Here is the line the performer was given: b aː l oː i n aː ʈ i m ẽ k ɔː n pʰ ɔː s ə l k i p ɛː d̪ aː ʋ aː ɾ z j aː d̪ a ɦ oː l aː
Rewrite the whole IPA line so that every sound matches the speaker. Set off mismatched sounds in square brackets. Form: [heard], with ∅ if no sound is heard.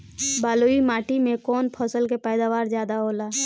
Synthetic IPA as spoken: b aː l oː i [m] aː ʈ i m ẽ k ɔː n pʰ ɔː s ə l k [e] p ɛː d̪ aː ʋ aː ɾ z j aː d̪ a ɦ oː l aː